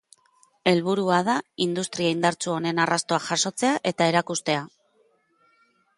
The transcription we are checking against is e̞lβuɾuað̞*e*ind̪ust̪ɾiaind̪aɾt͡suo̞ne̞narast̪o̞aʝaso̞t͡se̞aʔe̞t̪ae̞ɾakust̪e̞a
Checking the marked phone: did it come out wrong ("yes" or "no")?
yes